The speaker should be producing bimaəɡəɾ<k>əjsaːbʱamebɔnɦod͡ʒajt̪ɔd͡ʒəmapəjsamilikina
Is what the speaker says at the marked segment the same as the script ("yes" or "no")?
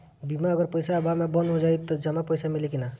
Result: no